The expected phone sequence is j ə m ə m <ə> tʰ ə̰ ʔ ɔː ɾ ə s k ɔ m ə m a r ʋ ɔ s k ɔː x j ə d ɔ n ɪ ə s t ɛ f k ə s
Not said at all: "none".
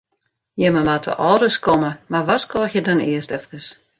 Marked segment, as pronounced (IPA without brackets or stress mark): a